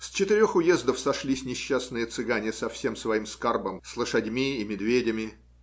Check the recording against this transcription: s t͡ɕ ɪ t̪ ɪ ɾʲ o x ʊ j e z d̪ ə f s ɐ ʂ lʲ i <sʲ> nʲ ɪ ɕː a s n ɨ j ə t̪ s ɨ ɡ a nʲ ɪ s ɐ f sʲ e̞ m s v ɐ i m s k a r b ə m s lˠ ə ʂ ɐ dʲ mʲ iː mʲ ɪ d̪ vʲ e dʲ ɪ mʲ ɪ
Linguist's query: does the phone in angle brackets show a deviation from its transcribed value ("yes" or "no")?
no